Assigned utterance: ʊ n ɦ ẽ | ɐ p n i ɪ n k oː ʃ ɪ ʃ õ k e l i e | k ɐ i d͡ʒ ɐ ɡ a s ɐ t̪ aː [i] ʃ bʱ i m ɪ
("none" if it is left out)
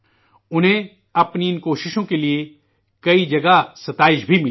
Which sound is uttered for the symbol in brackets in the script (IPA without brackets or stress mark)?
ɪ